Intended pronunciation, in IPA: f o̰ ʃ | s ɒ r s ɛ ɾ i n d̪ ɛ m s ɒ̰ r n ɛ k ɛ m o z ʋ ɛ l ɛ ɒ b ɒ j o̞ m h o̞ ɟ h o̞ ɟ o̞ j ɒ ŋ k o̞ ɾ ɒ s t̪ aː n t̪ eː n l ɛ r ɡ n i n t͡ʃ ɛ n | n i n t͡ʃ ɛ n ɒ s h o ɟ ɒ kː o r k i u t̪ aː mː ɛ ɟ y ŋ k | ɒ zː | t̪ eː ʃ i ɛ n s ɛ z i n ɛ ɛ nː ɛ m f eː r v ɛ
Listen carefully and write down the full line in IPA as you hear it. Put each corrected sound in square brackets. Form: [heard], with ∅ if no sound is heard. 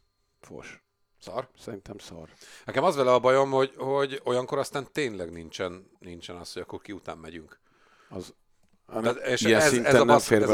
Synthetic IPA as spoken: f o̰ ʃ | s ɒ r s ɛ ɾ i n [t̪] ɛ m s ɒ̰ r n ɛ k ɛ m [ɒ] z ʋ ɛ l ɛ ɒ b ɒ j o̞ m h o̞ ɟ h o̞ ɟ o̞ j ɒ ŋ k o̞ ɾ ɒ s t̪ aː n t̪ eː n l ɛ [∅] ɡ n i n t͡ʃ ɛ n | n i n t͡ʃ ɛ n ɒ s h o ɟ ɒ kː o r k i u t̪ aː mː ɛ ɟ y ŋ k | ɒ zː | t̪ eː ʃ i ɛ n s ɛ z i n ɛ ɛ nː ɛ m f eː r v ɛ